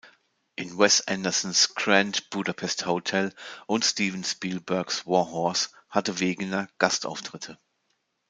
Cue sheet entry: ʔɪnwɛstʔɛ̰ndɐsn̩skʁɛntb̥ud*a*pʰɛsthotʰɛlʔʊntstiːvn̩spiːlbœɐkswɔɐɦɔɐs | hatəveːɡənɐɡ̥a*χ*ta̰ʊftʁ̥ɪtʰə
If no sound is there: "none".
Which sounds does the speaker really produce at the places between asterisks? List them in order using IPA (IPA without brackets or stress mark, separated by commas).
a, s